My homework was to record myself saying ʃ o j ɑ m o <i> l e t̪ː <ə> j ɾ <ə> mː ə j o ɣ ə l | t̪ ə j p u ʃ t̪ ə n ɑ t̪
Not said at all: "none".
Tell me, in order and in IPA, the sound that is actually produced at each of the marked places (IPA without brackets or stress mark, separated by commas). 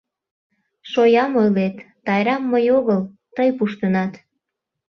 j, ɑ, ɑ